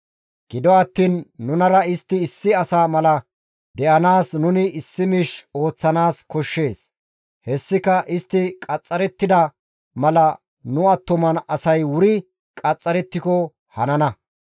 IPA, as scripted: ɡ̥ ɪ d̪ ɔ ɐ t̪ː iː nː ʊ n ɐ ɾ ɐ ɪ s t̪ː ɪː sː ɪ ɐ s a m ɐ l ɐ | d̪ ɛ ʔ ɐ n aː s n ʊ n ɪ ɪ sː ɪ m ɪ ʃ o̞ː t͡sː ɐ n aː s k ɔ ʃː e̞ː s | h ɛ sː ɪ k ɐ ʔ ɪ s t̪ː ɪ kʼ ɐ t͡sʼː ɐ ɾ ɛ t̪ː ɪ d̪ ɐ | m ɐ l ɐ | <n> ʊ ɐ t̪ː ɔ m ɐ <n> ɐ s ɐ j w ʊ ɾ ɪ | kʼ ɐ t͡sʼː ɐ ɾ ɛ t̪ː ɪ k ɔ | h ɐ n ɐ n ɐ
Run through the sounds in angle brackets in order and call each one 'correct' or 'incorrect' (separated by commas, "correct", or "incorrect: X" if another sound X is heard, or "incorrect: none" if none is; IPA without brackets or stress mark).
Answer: correct, correct